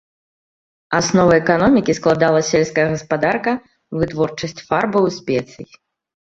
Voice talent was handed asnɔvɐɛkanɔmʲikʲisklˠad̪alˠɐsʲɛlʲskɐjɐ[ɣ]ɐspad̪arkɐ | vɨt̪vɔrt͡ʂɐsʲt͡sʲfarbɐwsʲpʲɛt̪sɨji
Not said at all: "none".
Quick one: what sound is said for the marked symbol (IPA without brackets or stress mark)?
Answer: ɣ